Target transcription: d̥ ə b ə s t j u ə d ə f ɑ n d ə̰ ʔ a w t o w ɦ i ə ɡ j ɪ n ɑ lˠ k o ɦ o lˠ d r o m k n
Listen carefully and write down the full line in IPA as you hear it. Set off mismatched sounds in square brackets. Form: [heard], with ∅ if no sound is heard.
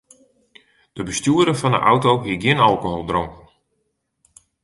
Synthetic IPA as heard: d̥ ə b ə s t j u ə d ə f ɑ n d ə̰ ʔ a w t o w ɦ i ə ɡ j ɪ n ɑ lˠ k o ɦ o lˠ d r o [ŋ] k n